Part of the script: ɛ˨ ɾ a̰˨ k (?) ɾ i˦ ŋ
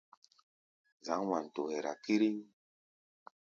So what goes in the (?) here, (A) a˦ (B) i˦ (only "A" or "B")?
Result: B